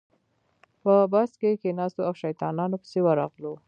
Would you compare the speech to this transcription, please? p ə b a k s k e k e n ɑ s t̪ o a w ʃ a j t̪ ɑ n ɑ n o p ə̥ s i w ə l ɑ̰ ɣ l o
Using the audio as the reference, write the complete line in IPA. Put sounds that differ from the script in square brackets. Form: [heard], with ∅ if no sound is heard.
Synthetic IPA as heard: p ə b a [∅] s k e k e n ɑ s t̪ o a w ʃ a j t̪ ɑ n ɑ n o p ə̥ s [e] w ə [ɾ] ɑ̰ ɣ l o